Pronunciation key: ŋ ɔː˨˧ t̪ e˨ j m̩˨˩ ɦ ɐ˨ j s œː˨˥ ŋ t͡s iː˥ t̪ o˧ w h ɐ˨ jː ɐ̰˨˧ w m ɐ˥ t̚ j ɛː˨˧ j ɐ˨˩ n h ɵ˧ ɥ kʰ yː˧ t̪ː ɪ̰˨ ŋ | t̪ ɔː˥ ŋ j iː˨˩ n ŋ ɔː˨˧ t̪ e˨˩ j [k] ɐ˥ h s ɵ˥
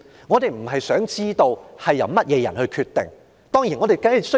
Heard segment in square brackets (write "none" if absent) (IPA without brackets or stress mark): k